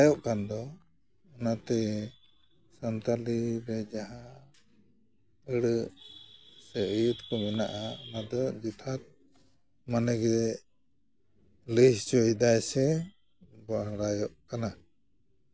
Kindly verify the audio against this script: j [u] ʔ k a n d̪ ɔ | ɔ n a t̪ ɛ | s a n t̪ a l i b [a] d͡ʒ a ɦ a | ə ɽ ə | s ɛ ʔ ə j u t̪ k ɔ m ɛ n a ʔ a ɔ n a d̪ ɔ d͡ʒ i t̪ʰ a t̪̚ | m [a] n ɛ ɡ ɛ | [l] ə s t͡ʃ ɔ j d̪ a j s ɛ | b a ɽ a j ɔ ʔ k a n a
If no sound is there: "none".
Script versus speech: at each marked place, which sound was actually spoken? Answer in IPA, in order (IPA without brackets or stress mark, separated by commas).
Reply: ɔ, ɛ, a, l